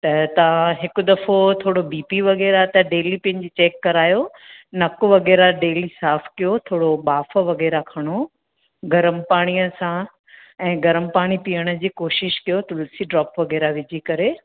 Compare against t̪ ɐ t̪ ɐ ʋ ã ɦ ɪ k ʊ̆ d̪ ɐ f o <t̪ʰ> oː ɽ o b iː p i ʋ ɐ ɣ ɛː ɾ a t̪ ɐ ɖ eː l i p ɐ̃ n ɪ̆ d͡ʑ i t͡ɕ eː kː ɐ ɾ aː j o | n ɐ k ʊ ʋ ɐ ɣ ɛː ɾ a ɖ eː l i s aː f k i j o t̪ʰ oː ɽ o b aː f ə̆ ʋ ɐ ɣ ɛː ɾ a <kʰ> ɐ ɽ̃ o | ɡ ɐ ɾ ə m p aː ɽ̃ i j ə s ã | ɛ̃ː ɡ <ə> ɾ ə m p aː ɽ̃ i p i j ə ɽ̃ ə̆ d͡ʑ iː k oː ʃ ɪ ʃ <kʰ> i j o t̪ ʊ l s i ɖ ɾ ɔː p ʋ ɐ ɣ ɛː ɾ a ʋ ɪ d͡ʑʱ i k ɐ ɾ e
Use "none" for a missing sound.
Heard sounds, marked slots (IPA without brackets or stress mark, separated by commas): t̪ʰ, kʰ, ɐ, k